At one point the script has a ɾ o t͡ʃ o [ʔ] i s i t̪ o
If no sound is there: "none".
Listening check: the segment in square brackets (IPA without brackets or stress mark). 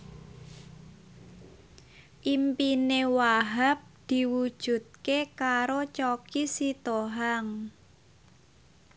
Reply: k